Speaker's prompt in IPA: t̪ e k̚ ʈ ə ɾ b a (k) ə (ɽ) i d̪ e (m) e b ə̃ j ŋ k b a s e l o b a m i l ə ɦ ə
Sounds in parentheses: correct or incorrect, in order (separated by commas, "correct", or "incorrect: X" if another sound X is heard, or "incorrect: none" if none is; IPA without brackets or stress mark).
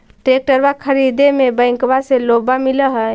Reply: incorrect: kʰ, incorrect: ɾ, correct